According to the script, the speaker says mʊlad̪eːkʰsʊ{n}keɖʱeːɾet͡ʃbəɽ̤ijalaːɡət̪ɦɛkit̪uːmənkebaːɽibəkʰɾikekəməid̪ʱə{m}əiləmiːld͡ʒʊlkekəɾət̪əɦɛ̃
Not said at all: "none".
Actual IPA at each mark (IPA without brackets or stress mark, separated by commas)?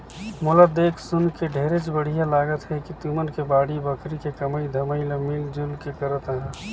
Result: n, m